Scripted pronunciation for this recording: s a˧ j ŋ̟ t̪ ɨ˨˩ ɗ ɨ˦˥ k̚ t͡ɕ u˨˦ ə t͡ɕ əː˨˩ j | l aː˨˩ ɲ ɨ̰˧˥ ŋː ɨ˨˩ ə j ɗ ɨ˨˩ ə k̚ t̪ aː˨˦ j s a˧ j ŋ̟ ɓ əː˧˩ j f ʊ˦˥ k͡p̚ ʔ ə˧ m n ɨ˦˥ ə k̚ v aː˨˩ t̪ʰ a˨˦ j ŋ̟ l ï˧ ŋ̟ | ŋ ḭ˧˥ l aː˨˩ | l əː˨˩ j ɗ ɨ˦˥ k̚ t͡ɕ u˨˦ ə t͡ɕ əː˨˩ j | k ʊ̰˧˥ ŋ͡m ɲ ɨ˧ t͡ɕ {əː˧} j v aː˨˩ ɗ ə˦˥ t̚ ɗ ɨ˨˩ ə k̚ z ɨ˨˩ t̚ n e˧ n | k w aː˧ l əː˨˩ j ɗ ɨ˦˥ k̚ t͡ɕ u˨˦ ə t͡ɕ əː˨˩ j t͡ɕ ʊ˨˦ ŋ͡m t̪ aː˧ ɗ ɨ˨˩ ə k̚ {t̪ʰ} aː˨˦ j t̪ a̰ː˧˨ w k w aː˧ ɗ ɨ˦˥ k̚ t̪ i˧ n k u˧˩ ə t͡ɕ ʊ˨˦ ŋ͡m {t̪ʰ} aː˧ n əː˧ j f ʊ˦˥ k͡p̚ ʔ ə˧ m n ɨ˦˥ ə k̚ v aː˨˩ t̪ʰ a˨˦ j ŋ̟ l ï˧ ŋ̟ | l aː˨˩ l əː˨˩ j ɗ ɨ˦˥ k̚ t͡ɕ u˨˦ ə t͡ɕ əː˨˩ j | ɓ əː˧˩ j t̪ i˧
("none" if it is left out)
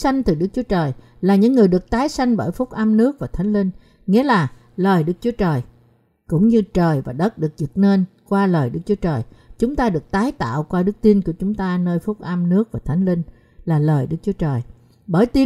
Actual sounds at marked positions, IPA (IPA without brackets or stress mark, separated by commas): əː˨˩, t̪, t̪